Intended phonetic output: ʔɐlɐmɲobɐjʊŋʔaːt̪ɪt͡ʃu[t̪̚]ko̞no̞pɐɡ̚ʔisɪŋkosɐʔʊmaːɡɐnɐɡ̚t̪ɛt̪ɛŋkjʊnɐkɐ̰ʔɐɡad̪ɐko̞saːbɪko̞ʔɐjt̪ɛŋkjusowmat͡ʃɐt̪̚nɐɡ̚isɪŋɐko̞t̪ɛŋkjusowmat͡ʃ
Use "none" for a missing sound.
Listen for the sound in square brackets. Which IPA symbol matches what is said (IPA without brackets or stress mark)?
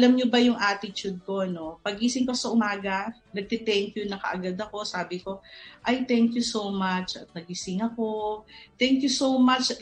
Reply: d̪̚